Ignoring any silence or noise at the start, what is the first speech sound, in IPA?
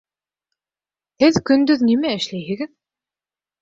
h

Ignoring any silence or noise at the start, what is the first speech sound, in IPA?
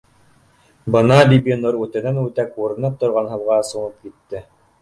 b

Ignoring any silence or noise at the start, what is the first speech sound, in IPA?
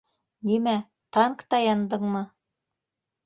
n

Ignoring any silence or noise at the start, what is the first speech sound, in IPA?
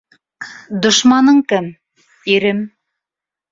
d̪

